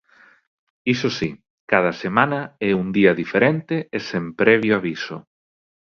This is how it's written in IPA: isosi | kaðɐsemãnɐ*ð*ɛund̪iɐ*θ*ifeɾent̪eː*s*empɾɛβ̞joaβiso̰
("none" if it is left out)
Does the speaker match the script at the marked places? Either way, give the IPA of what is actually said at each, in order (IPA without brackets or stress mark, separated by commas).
none, ð, s